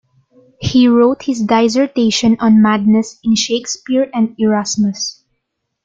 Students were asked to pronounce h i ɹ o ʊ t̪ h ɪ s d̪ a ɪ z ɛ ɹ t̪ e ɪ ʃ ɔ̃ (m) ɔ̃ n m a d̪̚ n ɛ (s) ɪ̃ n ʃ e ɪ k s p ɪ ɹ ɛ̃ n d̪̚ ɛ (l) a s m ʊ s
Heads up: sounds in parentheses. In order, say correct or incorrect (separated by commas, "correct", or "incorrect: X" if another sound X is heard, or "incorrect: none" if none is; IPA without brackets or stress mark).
incorrect: n, correct, incorrect: ɹ